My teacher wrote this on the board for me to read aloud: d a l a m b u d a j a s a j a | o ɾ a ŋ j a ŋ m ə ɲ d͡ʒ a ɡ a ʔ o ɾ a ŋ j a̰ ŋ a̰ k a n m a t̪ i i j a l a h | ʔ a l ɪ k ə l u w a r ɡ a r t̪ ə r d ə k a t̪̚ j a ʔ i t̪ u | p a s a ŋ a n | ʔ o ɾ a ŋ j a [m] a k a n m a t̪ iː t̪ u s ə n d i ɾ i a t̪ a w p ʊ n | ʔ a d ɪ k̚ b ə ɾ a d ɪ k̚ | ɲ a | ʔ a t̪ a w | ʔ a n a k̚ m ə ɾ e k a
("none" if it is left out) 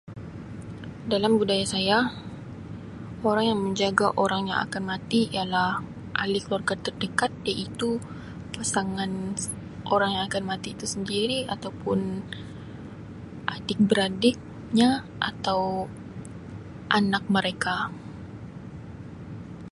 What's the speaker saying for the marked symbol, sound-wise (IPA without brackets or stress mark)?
ŋ